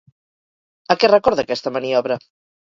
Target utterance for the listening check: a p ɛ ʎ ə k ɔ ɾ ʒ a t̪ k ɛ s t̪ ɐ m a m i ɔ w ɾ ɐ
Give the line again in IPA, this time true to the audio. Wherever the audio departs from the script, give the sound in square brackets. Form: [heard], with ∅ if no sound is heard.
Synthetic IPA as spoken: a [k] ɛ [r] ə k ɔ ɾ [ð] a [∅] k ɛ s t̪ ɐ m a [n] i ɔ [β] ɾ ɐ